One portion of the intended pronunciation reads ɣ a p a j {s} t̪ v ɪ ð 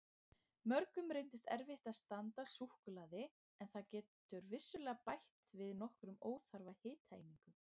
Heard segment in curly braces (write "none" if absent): h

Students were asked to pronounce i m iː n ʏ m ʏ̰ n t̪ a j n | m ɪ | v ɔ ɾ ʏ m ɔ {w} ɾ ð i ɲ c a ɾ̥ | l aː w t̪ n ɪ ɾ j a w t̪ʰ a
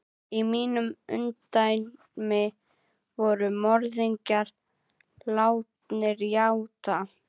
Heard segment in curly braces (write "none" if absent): none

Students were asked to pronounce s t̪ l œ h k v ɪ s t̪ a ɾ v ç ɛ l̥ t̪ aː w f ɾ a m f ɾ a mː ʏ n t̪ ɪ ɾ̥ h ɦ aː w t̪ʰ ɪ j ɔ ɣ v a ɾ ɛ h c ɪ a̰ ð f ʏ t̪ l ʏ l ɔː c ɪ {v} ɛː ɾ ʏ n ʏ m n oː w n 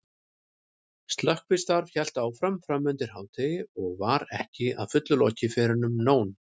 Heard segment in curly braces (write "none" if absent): f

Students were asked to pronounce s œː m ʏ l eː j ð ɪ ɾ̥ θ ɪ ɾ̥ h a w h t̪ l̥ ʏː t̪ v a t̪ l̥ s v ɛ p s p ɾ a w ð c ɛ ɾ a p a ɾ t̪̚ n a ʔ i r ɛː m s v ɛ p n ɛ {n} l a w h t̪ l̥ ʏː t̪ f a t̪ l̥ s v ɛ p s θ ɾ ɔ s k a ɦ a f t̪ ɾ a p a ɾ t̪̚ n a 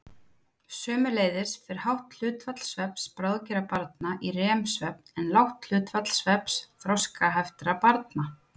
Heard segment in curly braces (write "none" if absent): n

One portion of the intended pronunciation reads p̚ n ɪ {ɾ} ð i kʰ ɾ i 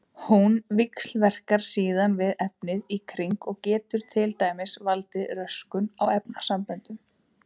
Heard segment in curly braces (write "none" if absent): none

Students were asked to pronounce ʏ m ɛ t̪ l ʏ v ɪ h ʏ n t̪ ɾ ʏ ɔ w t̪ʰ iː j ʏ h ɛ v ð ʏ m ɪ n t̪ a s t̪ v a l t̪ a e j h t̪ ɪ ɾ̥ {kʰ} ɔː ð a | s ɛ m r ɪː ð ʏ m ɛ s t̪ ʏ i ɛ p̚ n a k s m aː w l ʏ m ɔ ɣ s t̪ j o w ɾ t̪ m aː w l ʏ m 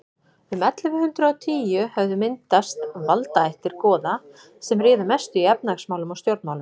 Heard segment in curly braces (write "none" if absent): k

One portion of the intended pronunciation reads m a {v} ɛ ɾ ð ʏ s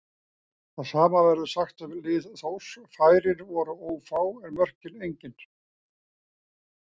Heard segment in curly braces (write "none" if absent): v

